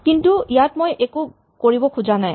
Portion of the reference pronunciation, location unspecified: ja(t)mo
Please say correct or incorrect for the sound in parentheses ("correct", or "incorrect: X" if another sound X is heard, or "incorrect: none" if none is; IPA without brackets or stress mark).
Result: correct